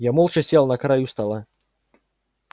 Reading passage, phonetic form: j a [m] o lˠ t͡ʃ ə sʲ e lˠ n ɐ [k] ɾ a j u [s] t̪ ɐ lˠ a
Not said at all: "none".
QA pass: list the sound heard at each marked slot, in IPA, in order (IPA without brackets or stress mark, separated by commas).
m, k, s